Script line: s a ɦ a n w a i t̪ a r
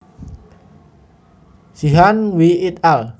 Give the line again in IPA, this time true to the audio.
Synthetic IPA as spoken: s i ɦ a n w i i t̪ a l